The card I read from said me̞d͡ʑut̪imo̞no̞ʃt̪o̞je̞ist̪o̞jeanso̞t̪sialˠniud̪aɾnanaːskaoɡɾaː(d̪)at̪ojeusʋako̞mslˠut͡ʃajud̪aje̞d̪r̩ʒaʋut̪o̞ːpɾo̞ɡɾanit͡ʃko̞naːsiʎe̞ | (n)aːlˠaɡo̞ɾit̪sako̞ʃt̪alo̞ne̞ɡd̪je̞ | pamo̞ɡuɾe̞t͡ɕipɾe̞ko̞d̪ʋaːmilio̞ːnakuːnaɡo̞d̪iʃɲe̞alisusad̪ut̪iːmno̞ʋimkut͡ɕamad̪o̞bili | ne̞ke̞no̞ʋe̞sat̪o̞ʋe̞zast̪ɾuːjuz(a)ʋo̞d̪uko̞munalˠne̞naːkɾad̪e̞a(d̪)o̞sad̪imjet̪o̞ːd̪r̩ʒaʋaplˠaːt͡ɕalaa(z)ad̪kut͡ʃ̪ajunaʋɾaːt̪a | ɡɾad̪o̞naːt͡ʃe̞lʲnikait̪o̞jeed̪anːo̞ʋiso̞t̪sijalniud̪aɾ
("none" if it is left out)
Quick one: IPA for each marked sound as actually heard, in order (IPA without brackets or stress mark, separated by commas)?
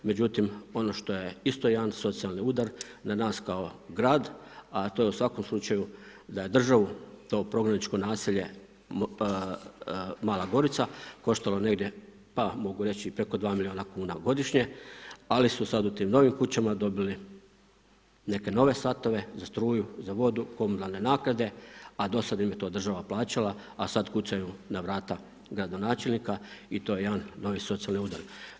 d̪, m, a, d̪, s